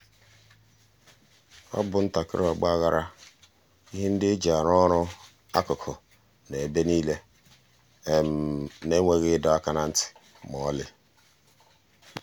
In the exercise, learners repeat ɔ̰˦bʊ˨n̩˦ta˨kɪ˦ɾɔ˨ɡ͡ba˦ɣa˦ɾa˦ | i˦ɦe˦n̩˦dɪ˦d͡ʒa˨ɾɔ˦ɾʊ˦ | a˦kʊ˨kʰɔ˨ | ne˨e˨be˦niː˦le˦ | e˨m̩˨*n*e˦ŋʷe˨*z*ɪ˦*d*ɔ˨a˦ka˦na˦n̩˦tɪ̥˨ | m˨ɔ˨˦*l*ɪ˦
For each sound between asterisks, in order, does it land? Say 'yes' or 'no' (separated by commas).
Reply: yes, no, yes, yes